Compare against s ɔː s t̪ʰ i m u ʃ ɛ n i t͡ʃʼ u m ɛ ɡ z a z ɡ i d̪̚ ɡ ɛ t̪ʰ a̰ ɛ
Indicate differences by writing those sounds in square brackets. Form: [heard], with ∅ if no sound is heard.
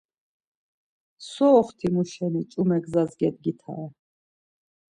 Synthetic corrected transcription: s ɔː [χ] t̪ʰ i m u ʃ ɛ n i t͡ʃʼ u m ɛ ɡ z a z ɡ [ɛ] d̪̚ ɡ [i] t̪ʰ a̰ ɛ

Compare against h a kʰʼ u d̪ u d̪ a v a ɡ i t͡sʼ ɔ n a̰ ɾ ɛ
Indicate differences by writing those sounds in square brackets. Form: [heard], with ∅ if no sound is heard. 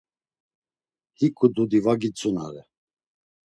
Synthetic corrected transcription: h [i] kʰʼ u d̪ u d̪ [i] v a ɡ i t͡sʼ [u] n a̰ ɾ ɛ

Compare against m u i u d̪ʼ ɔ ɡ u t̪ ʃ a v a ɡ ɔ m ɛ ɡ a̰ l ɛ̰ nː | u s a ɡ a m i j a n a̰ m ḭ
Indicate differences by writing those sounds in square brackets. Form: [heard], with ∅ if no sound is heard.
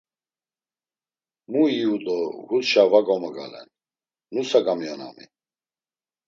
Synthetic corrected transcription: m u i u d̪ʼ ɔ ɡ u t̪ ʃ a v a ɡ ɔ m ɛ ɡ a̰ l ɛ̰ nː | u s a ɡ a m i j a n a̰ m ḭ

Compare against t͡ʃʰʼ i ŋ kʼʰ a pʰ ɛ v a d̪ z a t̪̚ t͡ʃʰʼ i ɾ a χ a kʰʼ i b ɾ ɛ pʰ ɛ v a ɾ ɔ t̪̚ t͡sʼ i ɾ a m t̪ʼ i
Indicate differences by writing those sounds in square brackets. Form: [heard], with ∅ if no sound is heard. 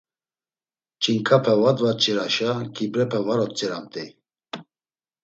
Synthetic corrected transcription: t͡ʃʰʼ i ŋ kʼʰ a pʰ ɛ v a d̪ [v] a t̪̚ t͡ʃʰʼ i ɾ a [ʃ] a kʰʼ i b ɾ ɛ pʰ ɛ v a ɾ ɔ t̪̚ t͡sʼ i ɾ a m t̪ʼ i

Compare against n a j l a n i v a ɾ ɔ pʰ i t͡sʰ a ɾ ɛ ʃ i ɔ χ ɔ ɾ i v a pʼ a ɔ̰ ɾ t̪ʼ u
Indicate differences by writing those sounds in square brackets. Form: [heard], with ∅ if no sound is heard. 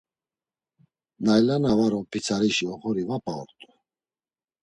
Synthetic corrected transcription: n a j l a n [a] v a ɾ ɔ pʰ i t͡sʰ a ɾ [i] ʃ i ɔ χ ɔ ɾ i v a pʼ a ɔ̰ ɾ t̪ʼ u

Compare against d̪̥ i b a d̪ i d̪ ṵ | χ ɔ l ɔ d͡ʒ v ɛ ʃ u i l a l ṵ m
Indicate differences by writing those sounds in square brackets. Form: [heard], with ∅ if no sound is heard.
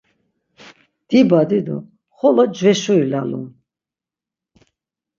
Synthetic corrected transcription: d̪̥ i b a d̪ i d̪ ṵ | χ ɔ l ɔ d͡ʒ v ɛ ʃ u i l a l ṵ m

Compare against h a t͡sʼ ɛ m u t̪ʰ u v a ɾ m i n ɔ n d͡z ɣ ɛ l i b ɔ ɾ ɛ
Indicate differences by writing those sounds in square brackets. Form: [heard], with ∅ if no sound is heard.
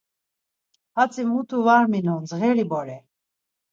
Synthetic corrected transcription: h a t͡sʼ [i] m u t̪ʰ u v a ɾ m i n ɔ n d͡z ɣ ɛ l i b ɔ ɾ ɛ

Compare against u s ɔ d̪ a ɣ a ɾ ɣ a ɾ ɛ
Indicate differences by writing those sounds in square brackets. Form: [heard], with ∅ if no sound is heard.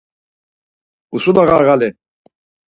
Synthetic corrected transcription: u s [u] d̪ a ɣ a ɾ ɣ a [l] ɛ

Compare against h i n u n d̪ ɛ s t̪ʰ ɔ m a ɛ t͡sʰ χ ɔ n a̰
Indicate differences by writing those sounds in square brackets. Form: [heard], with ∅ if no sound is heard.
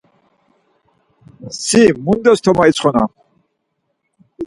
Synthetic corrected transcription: [s] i [m] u n d̪ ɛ s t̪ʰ ɔ m a [i] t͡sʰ χ ɔ n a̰

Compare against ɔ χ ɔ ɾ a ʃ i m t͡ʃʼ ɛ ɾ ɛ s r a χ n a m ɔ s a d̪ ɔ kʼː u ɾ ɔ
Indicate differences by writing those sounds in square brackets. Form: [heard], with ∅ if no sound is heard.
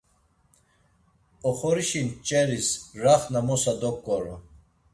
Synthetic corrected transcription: ɔ χ ɔ ɾ [i] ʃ i [n] t͡ʃʼ ɛ ɾ [i] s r a χ n a m ɔ s a d̪ ɔ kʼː [ɔ] ɾ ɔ

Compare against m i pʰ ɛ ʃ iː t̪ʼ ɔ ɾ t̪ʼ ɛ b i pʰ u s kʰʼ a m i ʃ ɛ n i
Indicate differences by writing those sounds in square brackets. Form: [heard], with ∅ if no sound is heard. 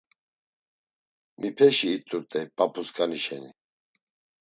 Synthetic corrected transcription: m i pʰ ɛ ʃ iː t̪ʼ [u] ɾ t̪ʼ ɛ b [a] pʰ u s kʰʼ a [n] i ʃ ɛ n i

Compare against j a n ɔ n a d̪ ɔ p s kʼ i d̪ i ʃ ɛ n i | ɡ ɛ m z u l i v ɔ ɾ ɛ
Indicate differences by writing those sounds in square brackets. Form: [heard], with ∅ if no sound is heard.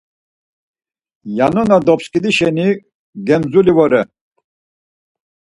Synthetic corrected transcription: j a n ɔ n a d̪ ɔ p s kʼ i d̪ i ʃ ɛ n i | ɡ ɛ m z u l i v ɔ ɾ ɛ

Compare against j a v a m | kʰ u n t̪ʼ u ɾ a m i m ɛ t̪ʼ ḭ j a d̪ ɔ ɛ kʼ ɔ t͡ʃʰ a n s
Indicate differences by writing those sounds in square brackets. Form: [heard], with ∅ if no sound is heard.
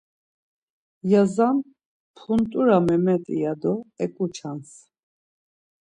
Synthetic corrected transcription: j a [z] a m | [pʰ] u n t̪ʼ u ɾ a m [ɛ] m ɛ t̪ʼ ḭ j a d̪ ɔ ɛ kʼ [u] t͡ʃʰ a n s

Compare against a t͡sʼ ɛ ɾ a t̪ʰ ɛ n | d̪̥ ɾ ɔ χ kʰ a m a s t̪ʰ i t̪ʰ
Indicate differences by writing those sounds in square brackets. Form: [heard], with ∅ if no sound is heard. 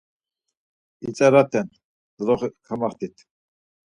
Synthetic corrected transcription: [i] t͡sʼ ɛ ɾ a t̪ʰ ɛ n | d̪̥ ɾ ɔ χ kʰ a m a [χ] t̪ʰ i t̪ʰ

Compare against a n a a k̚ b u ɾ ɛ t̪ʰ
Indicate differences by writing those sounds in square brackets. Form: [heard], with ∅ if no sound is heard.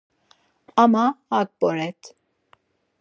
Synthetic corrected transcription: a [m] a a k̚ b [ɔ] ɾ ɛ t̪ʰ

